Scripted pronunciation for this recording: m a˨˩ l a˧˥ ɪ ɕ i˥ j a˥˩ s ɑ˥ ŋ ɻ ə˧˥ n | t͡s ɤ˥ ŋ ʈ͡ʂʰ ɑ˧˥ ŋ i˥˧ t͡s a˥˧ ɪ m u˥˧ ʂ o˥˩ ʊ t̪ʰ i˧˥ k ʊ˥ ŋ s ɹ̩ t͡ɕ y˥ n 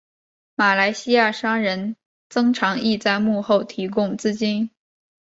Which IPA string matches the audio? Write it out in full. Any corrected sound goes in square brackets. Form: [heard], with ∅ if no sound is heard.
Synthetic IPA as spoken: m a˨˩ l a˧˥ ɪ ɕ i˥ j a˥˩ [ʂ] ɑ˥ ŋ ɻ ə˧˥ n | t͡s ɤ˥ ŋ ʈ͡ʂʰ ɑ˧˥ ŋ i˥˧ t͡s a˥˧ ɪ m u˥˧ [x] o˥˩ ʊ t̪ʰ i˧˥ k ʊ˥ ŋ [t͡s] ɹ̩ t͡ɕ [i˥] n